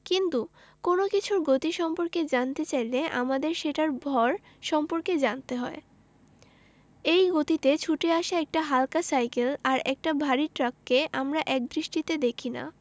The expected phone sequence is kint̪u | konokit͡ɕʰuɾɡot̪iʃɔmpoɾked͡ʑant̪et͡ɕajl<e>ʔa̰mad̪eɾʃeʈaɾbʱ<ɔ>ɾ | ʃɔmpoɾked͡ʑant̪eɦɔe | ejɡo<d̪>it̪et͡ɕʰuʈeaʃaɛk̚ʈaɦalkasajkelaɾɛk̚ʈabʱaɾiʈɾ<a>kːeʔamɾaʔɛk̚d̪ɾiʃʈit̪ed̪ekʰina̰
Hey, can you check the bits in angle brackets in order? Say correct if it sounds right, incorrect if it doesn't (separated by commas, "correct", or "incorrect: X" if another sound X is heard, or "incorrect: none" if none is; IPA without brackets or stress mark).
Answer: correct, correct, incorrect: t̪, correct